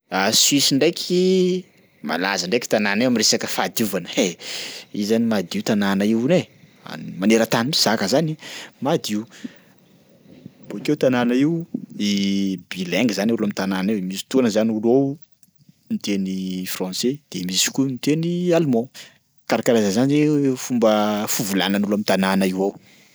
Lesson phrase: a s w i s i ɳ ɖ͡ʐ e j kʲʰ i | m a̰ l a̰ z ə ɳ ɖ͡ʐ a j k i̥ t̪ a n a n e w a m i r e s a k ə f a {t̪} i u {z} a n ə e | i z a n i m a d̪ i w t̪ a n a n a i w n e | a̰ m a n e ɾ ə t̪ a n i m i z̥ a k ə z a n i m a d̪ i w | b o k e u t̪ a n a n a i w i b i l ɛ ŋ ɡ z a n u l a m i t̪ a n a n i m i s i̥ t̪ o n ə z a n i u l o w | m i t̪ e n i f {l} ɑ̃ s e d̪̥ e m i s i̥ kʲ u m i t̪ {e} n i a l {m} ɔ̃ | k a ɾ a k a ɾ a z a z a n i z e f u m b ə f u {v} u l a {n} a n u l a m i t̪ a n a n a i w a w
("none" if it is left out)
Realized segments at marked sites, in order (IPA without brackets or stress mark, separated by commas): d̪, v, r, e, m, v, n